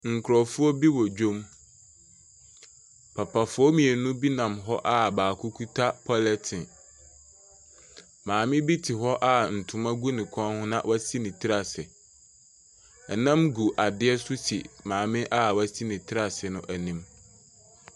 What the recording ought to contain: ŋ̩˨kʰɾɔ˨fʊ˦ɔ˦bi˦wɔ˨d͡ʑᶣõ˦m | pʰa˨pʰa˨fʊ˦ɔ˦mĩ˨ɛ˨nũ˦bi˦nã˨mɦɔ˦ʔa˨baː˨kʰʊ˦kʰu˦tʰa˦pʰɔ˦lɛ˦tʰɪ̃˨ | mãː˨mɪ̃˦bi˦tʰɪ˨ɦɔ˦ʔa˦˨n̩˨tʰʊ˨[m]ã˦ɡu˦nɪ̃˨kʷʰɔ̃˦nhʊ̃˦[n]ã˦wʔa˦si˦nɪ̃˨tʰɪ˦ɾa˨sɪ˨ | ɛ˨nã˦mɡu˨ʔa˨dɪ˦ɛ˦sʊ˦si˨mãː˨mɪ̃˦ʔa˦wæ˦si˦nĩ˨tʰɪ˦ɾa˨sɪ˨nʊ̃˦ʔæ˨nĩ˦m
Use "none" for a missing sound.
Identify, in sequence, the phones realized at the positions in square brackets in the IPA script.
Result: m, n

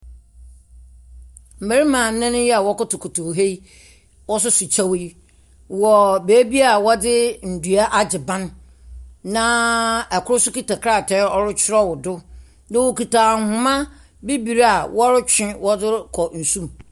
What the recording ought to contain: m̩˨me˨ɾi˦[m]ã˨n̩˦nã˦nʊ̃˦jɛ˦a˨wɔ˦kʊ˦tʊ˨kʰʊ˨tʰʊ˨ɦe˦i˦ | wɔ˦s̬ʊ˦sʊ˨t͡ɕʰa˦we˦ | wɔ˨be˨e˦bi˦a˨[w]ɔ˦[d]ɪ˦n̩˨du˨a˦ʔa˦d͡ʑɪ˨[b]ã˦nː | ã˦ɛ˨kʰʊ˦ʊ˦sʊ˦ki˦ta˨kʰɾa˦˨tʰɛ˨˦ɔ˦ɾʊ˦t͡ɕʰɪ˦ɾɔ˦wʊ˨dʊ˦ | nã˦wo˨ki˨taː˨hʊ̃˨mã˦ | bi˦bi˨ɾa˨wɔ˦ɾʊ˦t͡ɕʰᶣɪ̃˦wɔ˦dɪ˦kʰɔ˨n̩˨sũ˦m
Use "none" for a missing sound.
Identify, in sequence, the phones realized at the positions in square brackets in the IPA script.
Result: m, w, d, b

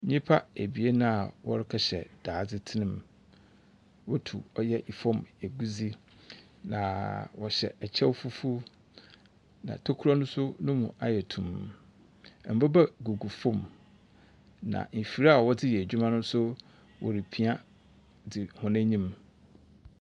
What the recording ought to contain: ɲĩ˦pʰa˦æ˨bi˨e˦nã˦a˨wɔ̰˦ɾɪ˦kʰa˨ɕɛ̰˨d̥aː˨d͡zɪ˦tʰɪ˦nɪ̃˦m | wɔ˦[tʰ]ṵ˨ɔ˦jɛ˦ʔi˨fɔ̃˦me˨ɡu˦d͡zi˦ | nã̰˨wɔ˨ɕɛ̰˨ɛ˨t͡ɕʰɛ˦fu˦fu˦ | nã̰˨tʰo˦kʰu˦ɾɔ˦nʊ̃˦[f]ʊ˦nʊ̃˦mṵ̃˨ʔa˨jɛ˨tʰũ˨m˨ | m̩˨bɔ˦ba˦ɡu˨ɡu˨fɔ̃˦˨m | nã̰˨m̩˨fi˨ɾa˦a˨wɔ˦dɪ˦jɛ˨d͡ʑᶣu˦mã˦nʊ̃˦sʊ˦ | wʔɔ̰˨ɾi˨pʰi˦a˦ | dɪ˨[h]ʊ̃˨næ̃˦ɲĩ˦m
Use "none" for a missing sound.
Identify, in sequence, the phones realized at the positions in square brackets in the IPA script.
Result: tʰ, s, h

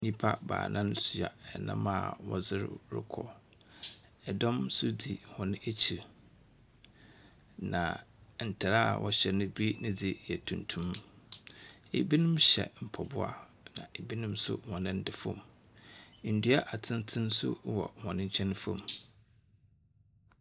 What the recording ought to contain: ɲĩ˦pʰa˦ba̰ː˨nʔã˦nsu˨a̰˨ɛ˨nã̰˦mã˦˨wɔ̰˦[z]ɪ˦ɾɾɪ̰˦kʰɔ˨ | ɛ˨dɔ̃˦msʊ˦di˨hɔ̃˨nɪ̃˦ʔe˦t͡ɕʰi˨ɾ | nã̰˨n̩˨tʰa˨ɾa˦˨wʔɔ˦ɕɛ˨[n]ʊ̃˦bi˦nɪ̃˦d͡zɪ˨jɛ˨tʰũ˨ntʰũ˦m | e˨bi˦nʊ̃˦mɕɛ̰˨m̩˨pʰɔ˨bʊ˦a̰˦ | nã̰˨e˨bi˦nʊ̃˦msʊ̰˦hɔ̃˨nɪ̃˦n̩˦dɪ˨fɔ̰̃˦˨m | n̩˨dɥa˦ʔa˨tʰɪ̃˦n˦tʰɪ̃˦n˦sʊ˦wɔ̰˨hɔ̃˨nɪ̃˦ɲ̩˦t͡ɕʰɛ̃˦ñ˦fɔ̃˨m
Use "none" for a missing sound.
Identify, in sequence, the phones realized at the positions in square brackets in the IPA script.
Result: z, n

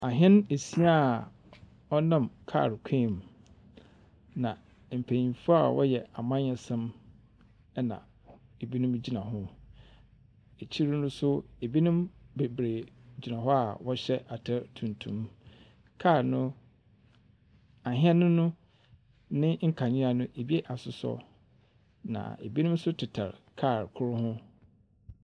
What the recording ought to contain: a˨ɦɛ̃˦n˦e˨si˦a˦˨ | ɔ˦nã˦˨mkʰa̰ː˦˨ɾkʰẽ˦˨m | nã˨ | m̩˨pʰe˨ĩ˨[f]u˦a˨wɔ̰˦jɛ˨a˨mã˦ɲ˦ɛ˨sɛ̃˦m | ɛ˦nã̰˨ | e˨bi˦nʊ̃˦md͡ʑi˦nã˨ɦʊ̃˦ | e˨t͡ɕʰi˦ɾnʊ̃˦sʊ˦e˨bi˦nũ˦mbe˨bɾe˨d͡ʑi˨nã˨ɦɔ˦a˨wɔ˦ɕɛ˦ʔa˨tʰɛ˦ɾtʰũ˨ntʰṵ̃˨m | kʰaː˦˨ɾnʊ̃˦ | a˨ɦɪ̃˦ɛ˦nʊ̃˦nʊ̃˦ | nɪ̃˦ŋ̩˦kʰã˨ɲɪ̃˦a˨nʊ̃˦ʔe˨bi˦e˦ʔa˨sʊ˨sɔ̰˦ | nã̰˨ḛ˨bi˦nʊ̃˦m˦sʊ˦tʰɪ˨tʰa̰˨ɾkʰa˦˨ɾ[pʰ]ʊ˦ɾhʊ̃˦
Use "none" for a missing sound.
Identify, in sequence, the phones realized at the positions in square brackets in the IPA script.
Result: f, kʰ

